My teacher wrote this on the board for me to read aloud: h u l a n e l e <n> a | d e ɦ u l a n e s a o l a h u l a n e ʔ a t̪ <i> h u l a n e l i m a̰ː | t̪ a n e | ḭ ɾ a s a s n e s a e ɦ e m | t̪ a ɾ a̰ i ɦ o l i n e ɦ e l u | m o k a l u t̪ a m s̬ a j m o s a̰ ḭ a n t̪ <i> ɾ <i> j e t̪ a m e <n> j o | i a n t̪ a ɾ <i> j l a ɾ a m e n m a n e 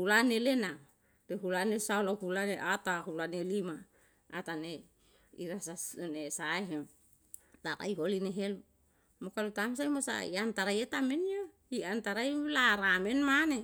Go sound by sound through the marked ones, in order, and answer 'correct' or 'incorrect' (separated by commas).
correct, incorrect, incorrect, incorrect, correct, incorrect